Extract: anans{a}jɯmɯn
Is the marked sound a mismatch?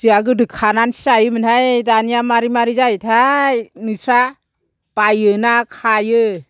no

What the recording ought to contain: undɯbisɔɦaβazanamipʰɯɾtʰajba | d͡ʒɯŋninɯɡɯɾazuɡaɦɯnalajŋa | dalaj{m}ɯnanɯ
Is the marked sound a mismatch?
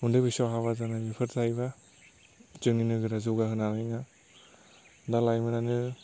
no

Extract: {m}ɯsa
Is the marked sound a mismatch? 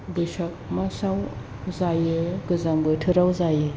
yes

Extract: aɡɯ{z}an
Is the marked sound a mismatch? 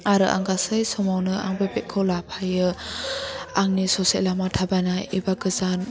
no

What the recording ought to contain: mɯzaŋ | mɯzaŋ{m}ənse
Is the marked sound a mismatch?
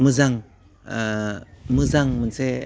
no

